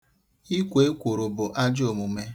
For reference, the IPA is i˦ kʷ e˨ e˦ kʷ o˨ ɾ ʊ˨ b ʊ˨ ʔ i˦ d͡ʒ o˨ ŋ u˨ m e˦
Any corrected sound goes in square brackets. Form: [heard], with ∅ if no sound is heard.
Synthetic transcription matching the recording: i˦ kʷ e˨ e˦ kʷ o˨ ɾ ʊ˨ b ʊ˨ ʔ [a˦] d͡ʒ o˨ [m] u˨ m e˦